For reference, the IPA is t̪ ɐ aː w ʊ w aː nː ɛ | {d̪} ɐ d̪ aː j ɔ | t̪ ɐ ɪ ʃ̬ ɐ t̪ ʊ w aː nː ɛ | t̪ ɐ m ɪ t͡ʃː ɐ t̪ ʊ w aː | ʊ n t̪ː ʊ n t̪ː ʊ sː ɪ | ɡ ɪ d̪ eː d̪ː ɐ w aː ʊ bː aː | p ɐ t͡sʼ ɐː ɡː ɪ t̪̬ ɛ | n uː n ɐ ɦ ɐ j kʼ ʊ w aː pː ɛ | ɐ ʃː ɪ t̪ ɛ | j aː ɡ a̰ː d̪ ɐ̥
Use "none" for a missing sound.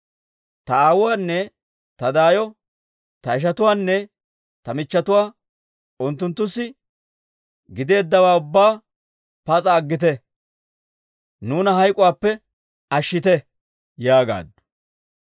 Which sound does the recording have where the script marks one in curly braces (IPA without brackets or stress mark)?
t̪